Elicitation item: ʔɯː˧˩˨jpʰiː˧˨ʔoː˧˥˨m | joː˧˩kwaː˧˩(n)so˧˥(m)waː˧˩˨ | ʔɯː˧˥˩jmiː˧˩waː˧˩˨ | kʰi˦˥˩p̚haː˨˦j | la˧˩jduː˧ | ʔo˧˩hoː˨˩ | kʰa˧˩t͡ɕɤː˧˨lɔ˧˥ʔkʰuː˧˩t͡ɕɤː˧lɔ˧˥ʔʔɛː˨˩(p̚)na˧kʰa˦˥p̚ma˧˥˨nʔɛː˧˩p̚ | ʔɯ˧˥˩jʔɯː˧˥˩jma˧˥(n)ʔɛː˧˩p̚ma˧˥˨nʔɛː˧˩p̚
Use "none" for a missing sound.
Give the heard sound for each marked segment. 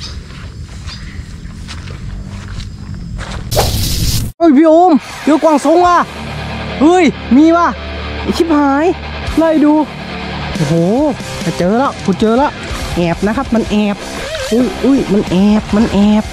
ŋ, ŋ, p̚, n

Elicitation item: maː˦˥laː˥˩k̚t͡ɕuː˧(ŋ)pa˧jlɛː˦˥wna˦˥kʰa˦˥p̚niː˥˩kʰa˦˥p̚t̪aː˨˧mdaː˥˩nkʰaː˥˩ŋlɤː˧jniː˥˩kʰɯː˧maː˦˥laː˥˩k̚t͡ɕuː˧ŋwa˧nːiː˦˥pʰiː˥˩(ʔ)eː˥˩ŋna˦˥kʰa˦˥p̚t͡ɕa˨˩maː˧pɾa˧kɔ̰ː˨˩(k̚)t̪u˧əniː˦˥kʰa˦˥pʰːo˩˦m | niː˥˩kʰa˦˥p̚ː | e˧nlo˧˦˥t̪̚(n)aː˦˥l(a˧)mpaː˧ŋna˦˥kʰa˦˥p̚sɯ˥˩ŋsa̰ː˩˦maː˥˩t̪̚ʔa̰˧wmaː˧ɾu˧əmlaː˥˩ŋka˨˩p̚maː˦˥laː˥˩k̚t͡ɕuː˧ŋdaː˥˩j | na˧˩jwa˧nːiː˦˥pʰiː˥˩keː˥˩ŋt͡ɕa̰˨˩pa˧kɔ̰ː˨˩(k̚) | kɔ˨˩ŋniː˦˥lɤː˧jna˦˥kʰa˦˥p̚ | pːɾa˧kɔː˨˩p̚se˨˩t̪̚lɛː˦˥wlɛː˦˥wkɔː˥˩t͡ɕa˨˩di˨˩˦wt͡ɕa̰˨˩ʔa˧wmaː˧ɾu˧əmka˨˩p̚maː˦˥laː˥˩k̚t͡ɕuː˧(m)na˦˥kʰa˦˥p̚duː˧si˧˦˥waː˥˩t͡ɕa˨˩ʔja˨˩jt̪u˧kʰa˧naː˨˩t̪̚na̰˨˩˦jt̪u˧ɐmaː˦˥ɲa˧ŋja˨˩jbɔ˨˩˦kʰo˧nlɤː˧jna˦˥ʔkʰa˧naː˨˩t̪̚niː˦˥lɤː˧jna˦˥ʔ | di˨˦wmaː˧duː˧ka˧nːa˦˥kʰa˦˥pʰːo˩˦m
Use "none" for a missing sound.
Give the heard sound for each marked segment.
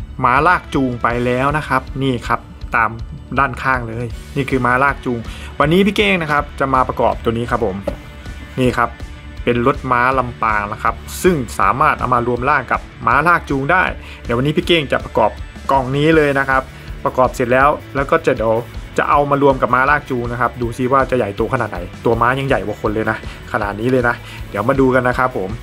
ŋ, k, p̚, m, a˧, p̚, ŋ

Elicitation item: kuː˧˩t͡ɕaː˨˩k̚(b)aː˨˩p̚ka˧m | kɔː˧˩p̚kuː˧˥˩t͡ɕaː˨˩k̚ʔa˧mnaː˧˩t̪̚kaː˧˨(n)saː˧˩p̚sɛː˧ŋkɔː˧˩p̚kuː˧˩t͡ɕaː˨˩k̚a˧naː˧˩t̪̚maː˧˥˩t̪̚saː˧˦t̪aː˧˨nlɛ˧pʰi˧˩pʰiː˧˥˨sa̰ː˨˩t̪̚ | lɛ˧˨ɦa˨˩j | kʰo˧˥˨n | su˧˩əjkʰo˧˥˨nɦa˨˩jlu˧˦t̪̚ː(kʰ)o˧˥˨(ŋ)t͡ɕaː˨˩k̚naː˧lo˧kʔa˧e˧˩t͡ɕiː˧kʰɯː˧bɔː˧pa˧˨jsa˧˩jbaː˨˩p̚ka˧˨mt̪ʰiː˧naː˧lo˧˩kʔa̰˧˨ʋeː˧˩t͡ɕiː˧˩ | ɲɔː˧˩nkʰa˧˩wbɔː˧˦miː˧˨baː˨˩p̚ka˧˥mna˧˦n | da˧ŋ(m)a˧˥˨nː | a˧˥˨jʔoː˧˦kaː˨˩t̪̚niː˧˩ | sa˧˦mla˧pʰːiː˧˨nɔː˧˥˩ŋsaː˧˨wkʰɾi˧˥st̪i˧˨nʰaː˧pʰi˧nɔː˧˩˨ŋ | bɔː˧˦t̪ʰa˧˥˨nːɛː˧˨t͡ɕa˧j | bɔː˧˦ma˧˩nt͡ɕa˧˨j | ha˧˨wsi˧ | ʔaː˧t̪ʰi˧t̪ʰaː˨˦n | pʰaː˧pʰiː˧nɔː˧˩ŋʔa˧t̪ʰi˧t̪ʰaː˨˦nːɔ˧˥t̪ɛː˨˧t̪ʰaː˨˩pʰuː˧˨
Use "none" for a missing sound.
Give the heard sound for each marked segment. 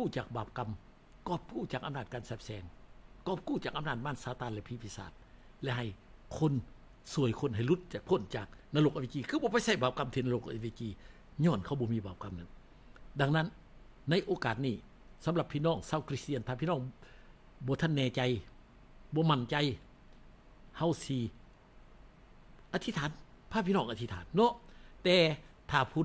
b, n, pʰ, n, n

